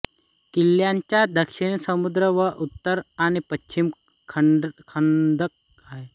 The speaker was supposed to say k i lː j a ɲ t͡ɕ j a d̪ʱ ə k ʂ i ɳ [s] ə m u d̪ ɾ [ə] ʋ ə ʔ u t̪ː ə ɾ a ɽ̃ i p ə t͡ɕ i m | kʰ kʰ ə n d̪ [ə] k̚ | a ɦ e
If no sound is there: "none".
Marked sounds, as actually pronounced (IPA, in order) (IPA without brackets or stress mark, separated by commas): s, ə, ə